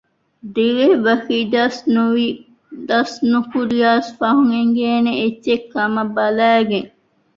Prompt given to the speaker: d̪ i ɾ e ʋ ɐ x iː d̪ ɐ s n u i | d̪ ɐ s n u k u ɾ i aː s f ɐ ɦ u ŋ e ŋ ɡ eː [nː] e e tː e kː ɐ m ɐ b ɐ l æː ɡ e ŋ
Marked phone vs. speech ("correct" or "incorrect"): incorrect